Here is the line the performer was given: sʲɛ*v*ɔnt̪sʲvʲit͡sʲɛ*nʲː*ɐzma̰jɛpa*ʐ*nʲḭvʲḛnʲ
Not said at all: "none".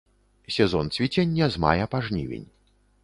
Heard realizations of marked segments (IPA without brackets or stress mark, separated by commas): z, nʲː, ʐ